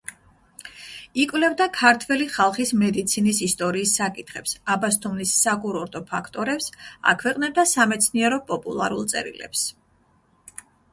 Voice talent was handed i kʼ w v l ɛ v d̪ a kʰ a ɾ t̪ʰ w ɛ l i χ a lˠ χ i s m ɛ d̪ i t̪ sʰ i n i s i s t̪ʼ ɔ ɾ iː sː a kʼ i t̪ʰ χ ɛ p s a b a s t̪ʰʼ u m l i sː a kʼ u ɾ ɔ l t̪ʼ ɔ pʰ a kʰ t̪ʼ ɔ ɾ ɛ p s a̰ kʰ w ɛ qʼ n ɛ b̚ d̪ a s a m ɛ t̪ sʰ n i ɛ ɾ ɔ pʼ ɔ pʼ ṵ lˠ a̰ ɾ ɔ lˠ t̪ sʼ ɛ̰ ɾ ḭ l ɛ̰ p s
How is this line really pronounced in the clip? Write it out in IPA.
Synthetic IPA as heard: i kʼ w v l ɛ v d̪ a kʰ a ɾ t̪ʰ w ɛ l i χ a lˠ χ i s m ɛ d̪ i t̪ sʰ i n i s i s t̪ʼ ɔ ɾ iː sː a kʼ i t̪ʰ χ ɛ p s a b a s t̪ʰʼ u m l i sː a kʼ u ɾ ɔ ɾ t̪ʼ ɔ pʰ a kʰ t̪ʼ ɔ ɾ ɛ p s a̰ kʰ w ɛ qʼ n ɛ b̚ d̪ a s a m ɛ t̪ sʰ n i ɛ ɾ ɔ pʼ ɔ pʼ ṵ lˠ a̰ ɾ u lˠ t̪ sʼ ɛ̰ ɾ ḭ l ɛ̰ p s